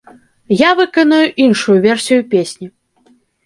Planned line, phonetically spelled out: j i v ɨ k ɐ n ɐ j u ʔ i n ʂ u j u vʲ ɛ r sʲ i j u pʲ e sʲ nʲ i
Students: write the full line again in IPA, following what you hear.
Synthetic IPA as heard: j a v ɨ k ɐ n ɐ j u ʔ i n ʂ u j u vʲ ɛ r sʲ i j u pʲ e sʲ nʲ i